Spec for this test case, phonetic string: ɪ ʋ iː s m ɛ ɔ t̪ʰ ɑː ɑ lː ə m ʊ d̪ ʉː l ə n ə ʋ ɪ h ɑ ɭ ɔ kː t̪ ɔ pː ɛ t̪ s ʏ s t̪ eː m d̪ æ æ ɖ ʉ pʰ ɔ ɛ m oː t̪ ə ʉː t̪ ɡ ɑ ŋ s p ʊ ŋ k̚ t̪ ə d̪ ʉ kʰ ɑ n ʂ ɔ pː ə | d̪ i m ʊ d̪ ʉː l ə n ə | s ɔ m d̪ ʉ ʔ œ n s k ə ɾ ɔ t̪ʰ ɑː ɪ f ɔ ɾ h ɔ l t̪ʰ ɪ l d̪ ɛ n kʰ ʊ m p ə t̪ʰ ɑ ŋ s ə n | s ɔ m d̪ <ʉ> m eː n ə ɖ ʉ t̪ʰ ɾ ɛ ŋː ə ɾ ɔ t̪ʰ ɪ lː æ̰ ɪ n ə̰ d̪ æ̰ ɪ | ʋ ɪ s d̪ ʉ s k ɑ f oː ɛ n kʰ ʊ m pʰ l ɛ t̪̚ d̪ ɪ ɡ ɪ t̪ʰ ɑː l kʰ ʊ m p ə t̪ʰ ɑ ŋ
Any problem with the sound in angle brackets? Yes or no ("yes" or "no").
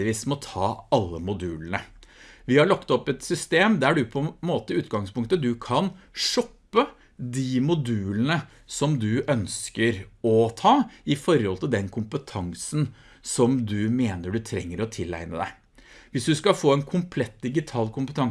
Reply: no